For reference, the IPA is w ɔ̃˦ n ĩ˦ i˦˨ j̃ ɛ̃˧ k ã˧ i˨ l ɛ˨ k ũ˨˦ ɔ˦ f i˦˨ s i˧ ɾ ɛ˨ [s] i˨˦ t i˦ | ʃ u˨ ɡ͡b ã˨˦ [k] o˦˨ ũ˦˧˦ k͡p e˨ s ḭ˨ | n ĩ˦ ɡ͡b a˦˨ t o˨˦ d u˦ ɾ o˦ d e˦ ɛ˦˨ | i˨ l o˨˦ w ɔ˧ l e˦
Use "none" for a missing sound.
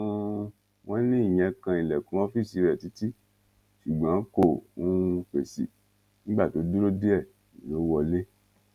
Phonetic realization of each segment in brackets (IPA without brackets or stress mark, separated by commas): t, k